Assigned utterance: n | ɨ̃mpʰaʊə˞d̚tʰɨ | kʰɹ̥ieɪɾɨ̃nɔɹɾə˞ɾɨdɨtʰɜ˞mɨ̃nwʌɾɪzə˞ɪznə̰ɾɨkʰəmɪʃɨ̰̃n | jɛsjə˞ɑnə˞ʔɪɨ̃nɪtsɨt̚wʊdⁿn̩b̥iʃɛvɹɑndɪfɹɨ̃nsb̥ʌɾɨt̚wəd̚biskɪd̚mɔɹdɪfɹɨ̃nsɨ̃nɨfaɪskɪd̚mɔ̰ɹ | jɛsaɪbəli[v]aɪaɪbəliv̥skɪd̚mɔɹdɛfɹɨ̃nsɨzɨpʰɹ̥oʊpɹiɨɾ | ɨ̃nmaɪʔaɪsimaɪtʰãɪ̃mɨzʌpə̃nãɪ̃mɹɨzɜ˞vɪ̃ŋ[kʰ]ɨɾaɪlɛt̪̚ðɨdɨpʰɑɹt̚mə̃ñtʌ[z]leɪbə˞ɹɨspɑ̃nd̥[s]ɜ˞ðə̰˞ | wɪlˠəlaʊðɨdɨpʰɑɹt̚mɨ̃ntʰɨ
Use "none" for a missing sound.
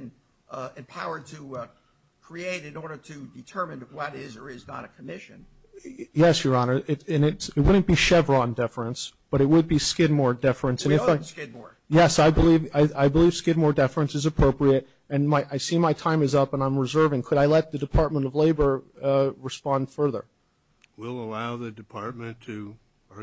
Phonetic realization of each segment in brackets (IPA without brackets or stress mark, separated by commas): v, kʰ, v, f